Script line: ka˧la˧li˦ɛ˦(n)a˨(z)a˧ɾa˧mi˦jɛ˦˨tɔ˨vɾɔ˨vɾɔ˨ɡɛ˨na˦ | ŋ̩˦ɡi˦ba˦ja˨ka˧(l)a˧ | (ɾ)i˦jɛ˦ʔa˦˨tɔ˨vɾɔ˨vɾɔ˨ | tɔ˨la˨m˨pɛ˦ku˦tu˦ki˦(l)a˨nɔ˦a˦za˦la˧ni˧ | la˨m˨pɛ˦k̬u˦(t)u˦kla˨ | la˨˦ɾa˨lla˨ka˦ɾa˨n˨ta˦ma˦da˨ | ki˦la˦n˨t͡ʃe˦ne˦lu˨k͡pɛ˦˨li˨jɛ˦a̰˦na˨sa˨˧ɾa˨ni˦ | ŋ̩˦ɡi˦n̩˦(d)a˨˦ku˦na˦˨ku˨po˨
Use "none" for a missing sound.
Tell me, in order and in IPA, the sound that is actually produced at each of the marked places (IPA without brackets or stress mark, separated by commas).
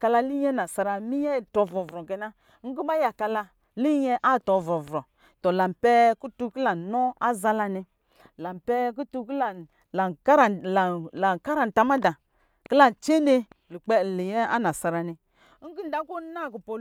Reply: n, s, l, l, l, t, d